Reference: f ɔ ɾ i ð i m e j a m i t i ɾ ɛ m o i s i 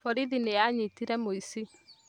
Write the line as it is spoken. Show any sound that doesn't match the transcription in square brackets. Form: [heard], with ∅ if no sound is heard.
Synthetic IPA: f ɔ ɾ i ð i [n] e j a [ɲ] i t i ɾ ɛ m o i s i

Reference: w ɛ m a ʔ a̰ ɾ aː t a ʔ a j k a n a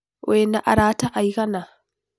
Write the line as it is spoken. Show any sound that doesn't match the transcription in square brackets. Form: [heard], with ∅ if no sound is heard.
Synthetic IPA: w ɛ [n] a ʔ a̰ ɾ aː t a ʔ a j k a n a

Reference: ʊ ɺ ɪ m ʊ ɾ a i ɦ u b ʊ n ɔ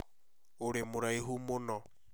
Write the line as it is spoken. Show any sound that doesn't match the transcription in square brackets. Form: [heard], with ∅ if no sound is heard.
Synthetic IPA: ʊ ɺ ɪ m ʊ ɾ a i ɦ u [m] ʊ n ɔ

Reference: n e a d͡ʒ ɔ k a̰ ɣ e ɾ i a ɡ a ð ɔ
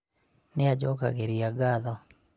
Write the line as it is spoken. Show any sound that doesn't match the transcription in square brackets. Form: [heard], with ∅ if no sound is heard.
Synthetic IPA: n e a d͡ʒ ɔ k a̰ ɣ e ɾ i a ɡ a ð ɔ

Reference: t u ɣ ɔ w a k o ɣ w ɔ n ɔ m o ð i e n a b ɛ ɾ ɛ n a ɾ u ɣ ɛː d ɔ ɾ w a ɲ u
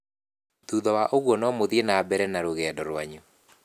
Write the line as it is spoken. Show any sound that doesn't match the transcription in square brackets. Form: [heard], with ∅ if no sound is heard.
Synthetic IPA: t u [ð] ɔ w a [ʔ] o ɣ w ɔ n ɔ m o ð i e n a b ɛ ɾ ɛ n a ɾ [o] ɣ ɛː d ɔ ɾ w a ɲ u

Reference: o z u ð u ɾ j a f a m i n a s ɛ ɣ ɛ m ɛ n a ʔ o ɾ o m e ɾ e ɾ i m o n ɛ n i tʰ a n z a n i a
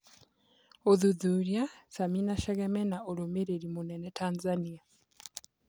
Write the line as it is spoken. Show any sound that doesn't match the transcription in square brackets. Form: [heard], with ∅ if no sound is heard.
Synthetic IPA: o [ð] u ð u ɾ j a [s] a m i n a [ʃ] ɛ ɣ ɛ m ɛ n a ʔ o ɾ o m e ɾ e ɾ i m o n ɛ n [ɛ] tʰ a n z a n i a

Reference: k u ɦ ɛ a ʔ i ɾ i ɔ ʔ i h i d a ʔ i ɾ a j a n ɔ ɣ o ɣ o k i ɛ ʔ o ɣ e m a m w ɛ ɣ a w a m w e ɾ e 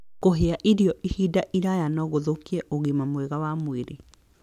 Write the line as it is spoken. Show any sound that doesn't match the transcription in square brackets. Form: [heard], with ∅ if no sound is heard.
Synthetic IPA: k [o] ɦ [e] a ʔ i ɾ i ɔ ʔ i h i d a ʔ i ɾ a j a n ɔ ɣ o [ð] o k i ɛ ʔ o ɣ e m a m w ɛ ɣ a w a m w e ɾ e

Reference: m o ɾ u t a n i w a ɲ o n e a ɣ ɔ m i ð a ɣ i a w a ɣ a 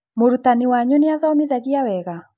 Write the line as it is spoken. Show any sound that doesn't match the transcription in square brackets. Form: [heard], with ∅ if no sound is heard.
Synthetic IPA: m o ɾ u t a n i w a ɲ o n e a [ð] ɔ m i ð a ɣ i a w [ɛ] ɣ a

